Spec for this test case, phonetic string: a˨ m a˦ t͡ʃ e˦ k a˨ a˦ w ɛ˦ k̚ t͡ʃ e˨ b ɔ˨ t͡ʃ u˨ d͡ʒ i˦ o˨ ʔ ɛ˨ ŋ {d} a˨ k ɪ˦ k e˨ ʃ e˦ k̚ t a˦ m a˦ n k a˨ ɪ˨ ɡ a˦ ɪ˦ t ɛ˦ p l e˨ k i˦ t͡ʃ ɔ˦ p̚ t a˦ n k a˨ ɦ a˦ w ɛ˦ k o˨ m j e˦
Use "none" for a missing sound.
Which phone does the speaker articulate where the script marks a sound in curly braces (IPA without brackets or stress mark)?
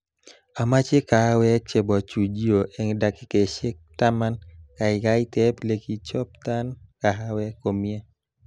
d